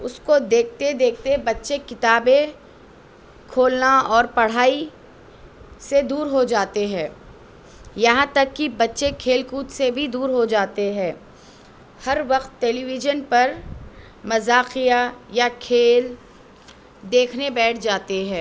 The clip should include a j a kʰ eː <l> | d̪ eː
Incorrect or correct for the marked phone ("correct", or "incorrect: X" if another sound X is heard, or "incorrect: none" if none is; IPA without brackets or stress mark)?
correct